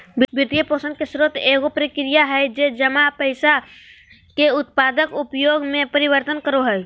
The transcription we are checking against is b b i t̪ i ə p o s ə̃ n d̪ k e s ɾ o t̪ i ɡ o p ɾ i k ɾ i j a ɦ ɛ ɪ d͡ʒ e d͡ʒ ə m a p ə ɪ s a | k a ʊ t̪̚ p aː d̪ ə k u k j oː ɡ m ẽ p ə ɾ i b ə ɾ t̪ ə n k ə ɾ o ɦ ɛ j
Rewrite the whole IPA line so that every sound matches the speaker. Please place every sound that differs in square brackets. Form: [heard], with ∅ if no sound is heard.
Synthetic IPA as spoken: b b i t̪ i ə p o s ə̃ n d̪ k e s ɾ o t̪ [e] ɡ o p ɾ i k ɾ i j a ɦ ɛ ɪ d͡ʒ e d͡ʒ ə m a p ə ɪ s a | k [e] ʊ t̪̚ p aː d̪ ə k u [p] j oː ɡ m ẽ p ə ɾ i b ə ɾ t̪ ə n k ə ɾ o ɦ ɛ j

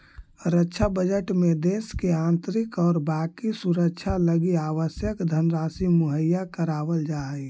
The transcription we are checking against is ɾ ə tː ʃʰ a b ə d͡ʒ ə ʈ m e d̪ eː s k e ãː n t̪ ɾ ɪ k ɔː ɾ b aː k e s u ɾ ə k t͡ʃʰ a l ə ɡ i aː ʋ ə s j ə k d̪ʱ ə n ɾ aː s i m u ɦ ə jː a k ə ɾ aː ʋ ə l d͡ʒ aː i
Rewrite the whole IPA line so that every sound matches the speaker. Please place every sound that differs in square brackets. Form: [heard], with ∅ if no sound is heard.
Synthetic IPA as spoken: ɾ ə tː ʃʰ a b ə d͡ʒ ə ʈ m e d̪ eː s k e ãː n t̪ ɾ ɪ k ɔː ɾ b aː k [i] s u ɾ ə k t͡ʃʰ a l ə ɡ i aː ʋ ə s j ə k d̪ʱ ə n ɾ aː s i m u ɦ ə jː a k ə ɾ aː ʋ ə l d͡ʒ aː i

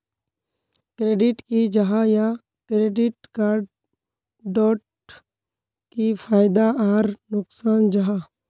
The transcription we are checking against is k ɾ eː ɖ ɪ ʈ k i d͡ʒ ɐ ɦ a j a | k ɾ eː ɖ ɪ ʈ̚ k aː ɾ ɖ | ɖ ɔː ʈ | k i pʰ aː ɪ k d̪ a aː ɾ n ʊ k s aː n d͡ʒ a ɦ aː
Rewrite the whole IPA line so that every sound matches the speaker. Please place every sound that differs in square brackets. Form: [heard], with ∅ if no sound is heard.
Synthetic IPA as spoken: k ɾ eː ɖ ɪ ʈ k i d͡ʒ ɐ ɦ a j a | k ɾ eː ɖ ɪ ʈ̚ k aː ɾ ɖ | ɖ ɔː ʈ | k i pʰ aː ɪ [∅] d̪ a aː ɾ n ʊ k s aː n d͡ʒ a ɦ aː

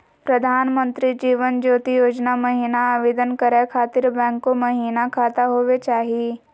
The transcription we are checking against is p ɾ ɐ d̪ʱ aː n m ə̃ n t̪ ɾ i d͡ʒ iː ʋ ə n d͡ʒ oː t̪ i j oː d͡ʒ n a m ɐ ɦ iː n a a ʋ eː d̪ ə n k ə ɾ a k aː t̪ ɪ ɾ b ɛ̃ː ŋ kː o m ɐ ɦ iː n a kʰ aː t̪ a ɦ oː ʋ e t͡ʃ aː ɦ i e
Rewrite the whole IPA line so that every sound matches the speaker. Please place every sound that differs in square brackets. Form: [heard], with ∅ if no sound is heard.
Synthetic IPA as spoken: p ɾ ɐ d̪ʱ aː n m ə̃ n t̪ ɾ i d͡ʒ iː ʋ ə n d͡ʒ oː t̪ i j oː d͡ʒ n a m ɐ ɦ iː n a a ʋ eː d̪ ə n k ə ɾ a [kʰ] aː t̪ ɪ ɾ b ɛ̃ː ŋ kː o m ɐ ɦ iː n a kʰ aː t̪ a ɦ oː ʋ e t͡ʃ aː ɦ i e

